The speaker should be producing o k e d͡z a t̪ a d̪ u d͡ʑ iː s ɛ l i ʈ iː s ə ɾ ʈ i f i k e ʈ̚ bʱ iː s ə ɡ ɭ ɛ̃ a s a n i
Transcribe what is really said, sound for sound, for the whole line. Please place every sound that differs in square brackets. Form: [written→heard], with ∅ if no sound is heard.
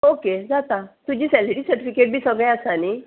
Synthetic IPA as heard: o k e d͡z a t̪ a [d̪→t̪] u d͡ʑ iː s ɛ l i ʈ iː s ə ɾ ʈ i f i k e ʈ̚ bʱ iː s ə ɡ ɭ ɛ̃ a s a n i